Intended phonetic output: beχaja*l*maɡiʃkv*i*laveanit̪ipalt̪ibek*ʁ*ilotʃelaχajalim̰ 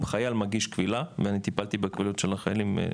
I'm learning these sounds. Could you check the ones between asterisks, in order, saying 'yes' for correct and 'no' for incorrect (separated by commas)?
yes, yes, no